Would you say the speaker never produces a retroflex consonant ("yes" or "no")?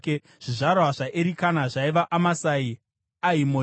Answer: no